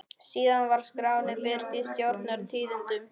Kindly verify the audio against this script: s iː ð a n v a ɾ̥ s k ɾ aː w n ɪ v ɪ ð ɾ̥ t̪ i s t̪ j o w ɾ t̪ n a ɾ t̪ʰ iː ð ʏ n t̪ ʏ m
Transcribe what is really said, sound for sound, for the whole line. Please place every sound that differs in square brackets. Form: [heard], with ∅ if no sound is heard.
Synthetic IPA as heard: s iː ð a n v a ɾ̥ s k ɾ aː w n ɪ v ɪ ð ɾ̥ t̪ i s t̪ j o w ɾ t̪ n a ɾ t̪ʰ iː ð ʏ n t̪ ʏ m